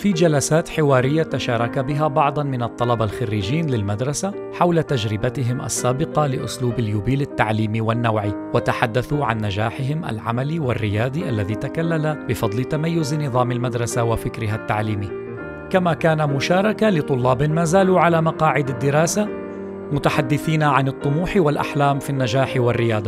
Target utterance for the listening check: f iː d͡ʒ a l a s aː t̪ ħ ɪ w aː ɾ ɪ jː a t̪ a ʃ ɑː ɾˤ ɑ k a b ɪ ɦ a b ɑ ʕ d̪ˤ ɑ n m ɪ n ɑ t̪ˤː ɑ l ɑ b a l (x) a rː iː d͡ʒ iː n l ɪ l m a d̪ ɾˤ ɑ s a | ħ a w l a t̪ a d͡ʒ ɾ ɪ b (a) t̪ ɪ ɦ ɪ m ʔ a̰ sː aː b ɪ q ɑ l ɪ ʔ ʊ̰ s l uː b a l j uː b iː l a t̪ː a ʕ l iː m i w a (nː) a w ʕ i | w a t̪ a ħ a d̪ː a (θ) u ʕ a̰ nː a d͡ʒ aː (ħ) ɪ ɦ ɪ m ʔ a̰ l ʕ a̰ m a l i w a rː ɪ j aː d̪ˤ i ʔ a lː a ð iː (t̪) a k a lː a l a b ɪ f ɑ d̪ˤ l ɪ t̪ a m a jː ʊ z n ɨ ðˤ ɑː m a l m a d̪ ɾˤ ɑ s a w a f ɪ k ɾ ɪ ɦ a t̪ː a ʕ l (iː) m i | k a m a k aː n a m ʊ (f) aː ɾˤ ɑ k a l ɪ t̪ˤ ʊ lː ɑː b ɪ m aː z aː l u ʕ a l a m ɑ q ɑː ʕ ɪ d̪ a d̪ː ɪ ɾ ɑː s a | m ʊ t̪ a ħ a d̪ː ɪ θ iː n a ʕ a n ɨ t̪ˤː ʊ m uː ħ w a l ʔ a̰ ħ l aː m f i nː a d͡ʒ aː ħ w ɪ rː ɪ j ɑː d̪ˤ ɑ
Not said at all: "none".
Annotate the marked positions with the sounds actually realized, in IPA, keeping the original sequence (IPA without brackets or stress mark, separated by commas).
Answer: x, a, nː, θ, ħ, t̪, iː, ʃ